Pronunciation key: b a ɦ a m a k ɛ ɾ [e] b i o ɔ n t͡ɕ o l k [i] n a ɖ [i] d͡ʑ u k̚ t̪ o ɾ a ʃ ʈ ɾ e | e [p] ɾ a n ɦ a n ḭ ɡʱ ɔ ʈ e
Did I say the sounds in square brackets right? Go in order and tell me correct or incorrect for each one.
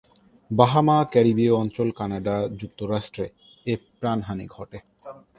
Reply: incorrect, incorrect, incorrect, correct

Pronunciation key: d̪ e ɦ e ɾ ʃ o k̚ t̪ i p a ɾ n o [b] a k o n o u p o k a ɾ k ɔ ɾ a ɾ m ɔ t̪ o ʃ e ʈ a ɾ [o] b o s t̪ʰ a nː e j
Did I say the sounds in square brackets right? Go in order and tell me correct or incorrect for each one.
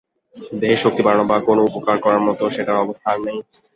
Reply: correct, incorrect

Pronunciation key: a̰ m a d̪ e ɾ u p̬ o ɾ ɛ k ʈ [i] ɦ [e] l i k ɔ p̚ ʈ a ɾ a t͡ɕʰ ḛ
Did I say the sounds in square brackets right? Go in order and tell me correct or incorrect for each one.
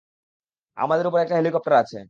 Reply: incorrect, correct

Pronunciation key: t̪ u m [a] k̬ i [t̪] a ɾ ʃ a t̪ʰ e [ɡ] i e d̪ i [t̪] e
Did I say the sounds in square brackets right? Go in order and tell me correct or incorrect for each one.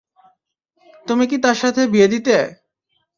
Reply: incorrect, correct, incorrect, correct

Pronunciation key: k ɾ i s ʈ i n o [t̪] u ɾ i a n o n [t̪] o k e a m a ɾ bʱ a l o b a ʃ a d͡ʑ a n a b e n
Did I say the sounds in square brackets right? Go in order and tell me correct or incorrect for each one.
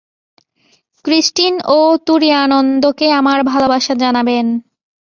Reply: correct, incorrect

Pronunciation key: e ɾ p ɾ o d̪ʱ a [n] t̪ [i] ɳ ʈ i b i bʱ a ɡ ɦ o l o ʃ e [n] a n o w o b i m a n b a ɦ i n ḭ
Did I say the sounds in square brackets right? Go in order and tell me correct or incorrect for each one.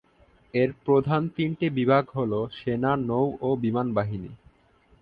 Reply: correct, correct, correct

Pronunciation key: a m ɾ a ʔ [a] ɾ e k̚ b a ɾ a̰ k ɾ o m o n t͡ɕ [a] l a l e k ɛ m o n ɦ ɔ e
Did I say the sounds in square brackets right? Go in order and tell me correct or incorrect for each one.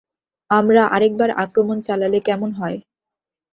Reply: correct, correct

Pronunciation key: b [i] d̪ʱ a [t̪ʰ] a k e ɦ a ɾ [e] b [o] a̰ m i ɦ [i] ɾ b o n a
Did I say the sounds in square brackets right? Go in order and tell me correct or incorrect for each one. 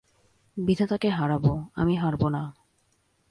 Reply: correct, incorrect, incorrect, correct, incorrect

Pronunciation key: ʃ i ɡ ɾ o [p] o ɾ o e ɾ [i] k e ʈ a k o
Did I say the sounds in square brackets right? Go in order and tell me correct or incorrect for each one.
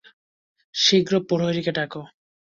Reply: correct, correct

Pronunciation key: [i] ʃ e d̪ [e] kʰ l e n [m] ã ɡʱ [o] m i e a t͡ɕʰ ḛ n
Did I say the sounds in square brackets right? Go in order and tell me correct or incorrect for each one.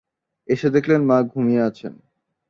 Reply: incorrect, correct, correct, incorrect

